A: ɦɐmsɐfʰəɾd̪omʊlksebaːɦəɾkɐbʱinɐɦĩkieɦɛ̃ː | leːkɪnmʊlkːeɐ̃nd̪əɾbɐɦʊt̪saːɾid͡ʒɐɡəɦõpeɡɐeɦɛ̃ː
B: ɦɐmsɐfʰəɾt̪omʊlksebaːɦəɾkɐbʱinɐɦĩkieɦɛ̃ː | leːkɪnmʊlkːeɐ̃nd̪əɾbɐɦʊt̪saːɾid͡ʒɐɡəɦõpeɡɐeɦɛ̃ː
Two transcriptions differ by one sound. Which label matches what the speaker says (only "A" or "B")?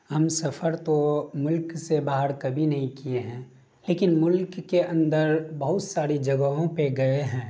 B